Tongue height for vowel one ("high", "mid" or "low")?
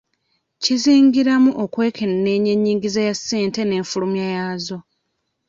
high